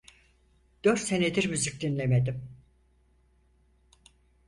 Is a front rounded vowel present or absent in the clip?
present